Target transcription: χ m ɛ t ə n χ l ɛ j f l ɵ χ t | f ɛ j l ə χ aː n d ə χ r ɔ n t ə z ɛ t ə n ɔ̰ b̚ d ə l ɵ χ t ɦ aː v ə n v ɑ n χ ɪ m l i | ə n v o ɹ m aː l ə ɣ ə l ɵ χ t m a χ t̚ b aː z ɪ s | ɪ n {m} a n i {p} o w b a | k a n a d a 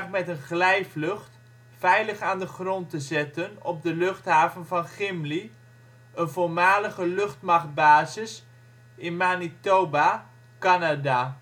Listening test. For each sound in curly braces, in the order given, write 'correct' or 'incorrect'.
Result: correct, incorrect: t

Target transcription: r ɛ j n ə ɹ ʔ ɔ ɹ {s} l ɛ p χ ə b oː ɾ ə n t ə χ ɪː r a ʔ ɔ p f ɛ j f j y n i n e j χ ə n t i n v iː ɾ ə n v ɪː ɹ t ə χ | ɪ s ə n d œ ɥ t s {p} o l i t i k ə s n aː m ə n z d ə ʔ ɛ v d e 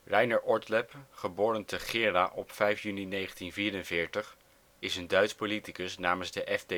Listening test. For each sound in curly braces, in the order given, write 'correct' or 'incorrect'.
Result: incorrect: t, correct

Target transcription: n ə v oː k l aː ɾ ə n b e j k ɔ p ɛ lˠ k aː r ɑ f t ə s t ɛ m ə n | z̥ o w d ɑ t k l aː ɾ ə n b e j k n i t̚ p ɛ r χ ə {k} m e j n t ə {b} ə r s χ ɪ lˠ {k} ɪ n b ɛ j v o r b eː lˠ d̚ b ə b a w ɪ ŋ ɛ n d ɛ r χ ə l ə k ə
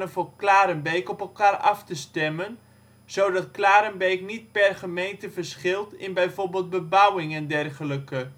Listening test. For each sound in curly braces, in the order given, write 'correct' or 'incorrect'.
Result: incorrect: none, incorrect: v, incorrect: t

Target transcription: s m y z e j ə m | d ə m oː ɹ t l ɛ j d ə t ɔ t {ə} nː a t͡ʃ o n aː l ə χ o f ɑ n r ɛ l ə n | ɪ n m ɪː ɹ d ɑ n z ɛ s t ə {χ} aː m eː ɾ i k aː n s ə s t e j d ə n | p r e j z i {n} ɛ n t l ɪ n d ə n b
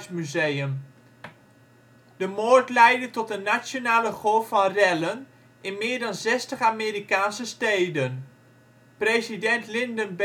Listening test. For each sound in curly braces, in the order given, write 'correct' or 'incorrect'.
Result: correct, correct, incorrect: d

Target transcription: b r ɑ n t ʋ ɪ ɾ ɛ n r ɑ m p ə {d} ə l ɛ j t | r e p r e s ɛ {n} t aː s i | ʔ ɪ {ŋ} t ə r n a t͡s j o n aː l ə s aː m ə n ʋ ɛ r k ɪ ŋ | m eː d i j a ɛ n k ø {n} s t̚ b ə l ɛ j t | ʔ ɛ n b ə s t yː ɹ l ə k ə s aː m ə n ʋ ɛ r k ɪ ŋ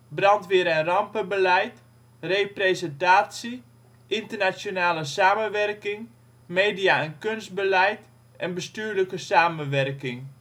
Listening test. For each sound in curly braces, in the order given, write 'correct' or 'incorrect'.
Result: incorrect: b, correct, incorrect: n, correct

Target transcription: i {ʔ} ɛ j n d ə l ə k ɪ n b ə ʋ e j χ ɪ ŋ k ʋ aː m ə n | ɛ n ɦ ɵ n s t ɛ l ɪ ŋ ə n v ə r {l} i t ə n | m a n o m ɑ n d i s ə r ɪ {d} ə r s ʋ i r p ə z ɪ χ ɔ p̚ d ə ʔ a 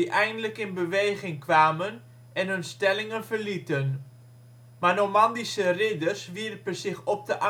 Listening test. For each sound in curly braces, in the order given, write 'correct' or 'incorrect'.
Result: correct, correct, correct

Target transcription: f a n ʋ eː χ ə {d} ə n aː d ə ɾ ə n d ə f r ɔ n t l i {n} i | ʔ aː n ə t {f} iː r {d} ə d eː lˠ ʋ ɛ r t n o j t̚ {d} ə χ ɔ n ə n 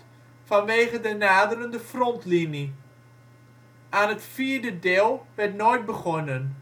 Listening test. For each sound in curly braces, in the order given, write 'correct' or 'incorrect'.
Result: correct, correct, correct, correct, incorrect: b

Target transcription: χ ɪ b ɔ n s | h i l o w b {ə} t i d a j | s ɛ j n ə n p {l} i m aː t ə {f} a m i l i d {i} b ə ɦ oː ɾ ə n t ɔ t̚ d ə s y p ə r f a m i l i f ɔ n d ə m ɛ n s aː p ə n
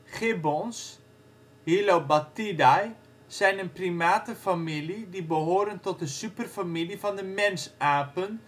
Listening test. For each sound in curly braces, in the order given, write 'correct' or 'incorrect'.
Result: incorrect: a, incorrect: r, correct, correct

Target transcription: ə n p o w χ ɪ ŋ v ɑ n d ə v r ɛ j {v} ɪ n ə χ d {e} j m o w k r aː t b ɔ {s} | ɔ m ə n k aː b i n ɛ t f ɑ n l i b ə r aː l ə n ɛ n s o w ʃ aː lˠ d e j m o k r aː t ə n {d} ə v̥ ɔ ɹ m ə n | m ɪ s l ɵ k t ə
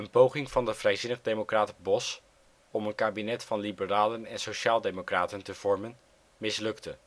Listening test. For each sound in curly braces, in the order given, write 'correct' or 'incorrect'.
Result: incorrect: z, correct, correct, incorrect: t

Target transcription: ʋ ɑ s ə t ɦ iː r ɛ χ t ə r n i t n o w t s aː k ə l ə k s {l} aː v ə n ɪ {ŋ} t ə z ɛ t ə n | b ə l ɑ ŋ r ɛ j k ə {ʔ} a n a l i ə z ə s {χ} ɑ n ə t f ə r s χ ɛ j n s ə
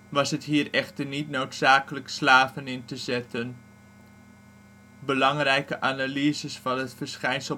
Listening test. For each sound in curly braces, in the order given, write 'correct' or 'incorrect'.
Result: correct, incorrect: n, correct, incorrect: f

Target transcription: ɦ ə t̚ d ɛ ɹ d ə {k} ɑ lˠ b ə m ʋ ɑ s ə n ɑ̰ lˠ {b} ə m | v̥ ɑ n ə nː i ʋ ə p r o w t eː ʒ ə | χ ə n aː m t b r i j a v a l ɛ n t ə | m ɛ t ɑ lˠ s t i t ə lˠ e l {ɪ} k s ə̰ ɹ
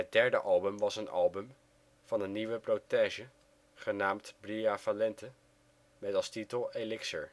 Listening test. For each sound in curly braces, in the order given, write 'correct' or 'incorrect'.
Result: incorrect: ʔ, correct, correct

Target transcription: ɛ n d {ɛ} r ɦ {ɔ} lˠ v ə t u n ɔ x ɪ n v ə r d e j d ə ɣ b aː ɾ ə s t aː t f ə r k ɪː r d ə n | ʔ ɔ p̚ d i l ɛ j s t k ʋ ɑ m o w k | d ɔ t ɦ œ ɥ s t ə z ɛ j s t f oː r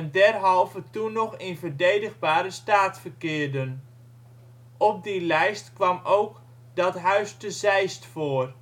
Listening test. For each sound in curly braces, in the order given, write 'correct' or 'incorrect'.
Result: correct, correct

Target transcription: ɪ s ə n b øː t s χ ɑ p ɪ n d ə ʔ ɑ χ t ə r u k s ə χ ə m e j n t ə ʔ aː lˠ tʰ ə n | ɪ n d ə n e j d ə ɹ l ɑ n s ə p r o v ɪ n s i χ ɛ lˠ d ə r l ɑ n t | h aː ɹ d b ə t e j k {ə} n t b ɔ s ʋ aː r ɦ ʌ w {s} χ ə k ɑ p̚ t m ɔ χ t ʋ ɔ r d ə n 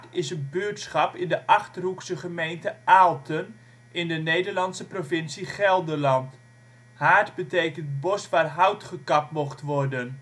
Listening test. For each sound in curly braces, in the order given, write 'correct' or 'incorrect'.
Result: correct, incorrect: t

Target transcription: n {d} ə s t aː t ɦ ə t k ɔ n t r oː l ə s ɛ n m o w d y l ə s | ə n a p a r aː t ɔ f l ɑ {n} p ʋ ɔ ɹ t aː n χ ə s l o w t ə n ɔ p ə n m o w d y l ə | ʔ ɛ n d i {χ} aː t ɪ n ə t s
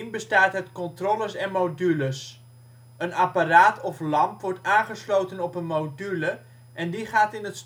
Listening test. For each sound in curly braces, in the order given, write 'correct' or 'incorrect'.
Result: incorrect: b, incorrect: m, correct

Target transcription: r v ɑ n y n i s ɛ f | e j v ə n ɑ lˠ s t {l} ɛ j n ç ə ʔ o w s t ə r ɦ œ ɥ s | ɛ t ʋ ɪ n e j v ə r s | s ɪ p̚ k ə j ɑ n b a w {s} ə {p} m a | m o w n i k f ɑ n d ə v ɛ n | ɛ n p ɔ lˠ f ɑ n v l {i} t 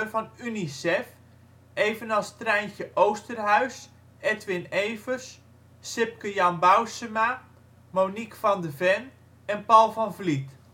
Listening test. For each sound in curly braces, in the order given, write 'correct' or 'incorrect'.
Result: incorrect: r, correct, incorrect: none, correct

